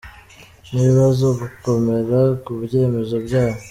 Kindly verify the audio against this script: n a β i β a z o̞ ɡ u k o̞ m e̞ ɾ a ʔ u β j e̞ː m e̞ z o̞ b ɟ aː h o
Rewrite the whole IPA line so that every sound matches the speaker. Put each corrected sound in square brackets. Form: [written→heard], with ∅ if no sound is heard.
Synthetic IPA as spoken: n [a→i] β i β a z o̞ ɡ u k o̞ m e̞ ɾ a [ʔ→k] u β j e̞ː m e̞ z o̞ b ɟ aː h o